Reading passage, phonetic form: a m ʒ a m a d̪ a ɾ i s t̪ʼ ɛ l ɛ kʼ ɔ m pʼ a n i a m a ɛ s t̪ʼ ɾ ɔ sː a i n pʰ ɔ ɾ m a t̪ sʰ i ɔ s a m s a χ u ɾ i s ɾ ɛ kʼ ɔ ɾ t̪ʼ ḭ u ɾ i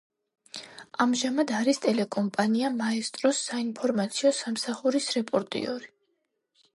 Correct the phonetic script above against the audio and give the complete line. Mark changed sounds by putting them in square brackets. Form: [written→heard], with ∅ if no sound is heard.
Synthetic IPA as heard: a m ʒ a m a d̪ a ɾ i s t̪ʼ ɛ l ɛ kʼ ɔ m pʼ a n i a m a ɛ s t̪ʼ ɾ ɔ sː a i n pʰ ɔ ɾ m a t̪ sʰ i ɔ s a m s a χ u ɾ i s ɾ ɛ [kʼ→pʼ] ɔ ɾ t̪ʼ ḭ [u→ɔ] ɾ i